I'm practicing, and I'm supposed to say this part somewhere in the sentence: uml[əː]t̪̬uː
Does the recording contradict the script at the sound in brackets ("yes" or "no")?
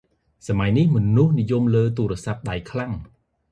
no